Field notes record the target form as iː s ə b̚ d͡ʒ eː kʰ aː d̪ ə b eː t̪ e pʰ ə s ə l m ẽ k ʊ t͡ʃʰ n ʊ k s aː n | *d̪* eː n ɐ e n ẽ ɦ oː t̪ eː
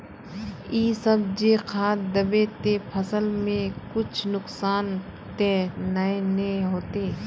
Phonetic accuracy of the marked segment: incorrect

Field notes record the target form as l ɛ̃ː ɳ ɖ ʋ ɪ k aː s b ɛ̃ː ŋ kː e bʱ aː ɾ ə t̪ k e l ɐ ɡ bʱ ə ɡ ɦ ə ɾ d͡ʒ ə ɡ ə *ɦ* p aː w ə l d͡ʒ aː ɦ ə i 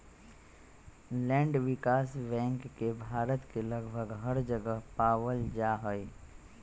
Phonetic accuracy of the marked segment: correct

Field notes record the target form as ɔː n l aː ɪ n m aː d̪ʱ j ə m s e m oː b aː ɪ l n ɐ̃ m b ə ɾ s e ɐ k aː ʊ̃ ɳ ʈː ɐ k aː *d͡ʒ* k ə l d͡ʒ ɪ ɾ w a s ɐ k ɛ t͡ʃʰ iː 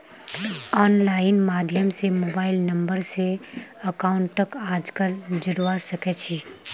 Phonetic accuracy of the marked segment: correct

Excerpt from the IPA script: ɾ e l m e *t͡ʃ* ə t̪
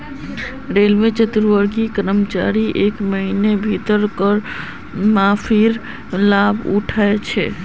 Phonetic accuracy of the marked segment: correct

